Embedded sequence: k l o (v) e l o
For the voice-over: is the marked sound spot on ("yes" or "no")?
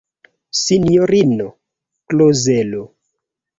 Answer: no